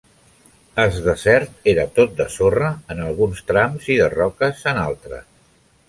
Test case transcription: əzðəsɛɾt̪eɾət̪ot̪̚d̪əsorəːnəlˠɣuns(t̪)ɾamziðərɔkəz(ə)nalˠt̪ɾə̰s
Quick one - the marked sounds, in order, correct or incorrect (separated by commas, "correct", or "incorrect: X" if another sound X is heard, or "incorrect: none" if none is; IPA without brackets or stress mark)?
correct, correct